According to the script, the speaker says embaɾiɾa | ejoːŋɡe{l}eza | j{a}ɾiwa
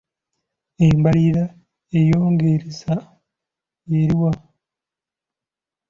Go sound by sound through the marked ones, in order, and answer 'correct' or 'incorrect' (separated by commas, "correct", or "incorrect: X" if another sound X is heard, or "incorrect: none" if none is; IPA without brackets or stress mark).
incorrect: ɾ, incorrect: e